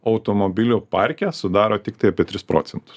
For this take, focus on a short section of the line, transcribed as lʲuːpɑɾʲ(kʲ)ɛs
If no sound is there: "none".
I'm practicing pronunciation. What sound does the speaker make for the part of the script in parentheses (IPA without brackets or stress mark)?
kʲ